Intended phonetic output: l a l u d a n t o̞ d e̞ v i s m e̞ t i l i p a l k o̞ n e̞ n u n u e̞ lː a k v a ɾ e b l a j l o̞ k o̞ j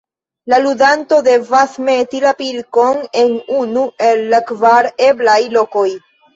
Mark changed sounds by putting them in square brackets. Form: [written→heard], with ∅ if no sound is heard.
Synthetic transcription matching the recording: l a l u d a n t o̞ d e̞ v [i→a] s m e̞ t i l [i→a] p [a→i] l k o̞ n e̞ n u n u e̞ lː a k v a ɾ e b l a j l o̞ k o̞ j